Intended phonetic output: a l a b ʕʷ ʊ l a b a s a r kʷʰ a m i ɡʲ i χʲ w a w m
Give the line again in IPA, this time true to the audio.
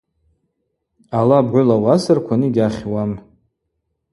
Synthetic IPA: a l a b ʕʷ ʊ l a w a s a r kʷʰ a n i ɡʲ a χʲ w a m

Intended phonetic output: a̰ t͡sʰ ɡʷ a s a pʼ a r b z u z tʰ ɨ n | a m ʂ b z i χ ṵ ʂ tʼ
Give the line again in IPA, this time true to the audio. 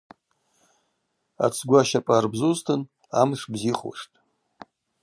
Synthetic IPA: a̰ t͡sʰ ɡʷ a ʃ a pʼ a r b z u z tʰ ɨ n | a m ʂ b z i χ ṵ ʂ tʼ

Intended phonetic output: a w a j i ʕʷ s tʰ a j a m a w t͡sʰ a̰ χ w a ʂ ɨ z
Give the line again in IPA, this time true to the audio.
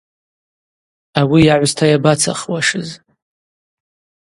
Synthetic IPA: a w i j a ʕʷ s tʰ a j a b a t͡sʰ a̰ χ w a ʂ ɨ z

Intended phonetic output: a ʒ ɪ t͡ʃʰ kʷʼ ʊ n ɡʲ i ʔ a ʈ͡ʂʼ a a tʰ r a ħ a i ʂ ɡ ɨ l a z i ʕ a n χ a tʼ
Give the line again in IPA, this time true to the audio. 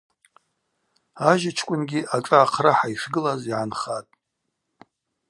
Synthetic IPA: a ʒ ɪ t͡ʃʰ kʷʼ ʊ n ɡʲ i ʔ a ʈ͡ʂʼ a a qʰ r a ħ a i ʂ ɡ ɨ l a z i ʕ a n χ a tʼ

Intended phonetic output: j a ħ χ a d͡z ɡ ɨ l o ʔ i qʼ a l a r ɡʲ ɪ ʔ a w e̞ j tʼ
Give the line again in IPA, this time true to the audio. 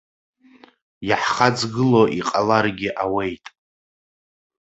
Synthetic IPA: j a ħ χ a d͡z ɡ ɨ l o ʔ i qʼ a l a r ɡʲ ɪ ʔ a w e̞ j tʼ

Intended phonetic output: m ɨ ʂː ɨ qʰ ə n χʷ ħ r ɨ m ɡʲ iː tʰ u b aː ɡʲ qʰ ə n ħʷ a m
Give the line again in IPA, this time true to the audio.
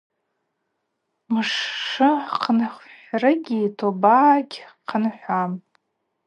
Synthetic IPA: m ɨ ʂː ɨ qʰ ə n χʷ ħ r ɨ ɡʲ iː tʰ o b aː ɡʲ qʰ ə n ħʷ a m

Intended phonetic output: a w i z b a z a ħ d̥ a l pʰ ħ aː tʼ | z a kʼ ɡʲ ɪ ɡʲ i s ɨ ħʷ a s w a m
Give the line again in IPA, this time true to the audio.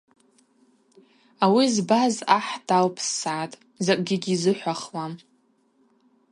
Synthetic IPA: a w i z b a z a ħ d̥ a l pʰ s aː tʼ | z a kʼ ɡʲ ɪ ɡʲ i z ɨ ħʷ a χ w a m

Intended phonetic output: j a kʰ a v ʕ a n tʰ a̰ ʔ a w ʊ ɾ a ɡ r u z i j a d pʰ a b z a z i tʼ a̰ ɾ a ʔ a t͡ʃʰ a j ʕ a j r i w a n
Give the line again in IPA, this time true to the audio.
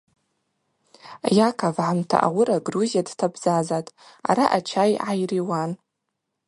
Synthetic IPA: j a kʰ a v ʕ a m tʰ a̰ ʔ a w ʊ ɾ a ɡ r u z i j a d tʰ a b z a z a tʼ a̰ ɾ a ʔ a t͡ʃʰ a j ʕ a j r i w a n

